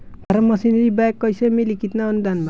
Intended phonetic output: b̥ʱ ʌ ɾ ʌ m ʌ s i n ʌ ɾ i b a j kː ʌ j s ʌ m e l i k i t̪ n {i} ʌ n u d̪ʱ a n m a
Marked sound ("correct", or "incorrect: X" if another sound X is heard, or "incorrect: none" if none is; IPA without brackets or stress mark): incorrect: a